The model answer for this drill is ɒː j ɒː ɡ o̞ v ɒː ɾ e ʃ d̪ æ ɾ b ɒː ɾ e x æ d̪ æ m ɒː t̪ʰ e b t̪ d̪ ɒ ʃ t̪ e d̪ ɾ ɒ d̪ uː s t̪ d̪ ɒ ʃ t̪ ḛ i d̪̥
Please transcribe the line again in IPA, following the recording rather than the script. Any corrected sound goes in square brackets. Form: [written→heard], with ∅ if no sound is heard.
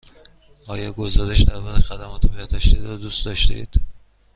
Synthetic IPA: ɒː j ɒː ɡ o̞ [v→z] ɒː ɾ e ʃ d̪ æ ɾ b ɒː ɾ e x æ d̪ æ m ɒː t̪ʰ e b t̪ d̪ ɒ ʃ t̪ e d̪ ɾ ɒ d̪ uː s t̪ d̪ ɒ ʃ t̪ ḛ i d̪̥